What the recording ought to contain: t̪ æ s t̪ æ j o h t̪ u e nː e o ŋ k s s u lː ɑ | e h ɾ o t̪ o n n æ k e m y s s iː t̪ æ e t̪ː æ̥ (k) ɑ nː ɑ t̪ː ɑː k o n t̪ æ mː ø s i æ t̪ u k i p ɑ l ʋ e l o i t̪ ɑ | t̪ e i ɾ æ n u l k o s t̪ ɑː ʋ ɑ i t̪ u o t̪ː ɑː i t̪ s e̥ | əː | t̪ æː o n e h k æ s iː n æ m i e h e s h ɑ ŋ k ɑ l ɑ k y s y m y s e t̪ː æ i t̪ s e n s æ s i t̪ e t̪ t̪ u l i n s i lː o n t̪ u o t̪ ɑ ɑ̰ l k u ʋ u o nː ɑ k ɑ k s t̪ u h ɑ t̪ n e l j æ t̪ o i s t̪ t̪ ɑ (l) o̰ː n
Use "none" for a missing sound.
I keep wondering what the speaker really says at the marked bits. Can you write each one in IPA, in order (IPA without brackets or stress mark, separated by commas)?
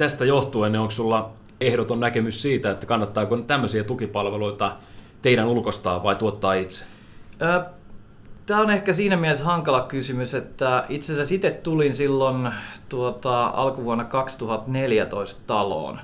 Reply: k, l